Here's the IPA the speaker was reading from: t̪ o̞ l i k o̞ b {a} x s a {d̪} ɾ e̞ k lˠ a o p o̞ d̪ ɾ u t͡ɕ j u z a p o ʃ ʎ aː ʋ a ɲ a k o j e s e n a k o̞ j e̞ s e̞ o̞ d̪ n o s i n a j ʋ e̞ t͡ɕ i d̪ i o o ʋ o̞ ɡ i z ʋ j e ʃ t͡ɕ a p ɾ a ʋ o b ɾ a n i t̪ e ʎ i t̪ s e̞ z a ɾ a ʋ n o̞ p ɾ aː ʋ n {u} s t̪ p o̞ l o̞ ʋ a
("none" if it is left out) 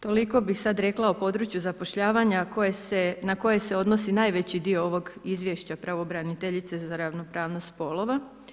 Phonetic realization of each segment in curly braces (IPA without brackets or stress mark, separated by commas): i, d̪, o